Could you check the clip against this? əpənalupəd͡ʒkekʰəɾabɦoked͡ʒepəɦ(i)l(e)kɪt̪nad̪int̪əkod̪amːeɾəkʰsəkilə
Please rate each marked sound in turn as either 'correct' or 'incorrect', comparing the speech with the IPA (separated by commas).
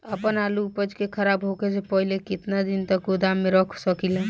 correct, correct